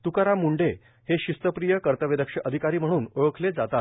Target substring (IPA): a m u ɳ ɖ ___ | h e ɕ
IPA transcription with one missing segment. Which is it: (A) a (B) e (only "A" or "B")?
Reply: B